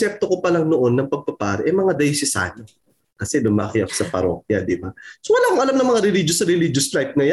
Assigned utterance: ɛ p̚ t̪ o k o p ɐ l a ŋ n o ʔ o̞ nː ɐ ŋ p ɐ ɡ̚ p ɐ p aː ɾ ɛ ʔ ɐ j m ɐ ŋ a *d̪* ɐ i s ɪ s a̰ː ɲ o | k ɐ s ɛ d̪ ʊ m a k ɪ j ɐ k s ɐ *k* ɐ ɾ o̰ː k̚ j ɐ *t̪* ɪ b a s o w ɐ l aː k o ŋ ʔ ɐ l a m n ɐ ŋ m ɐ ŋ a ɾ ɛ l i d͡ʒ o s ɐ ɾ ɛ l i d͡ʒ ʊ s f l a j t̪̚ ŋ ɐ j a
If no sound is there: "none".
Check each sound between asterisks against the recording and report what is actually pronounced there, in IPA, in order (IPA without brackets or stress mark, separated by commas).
d̪, p, d̪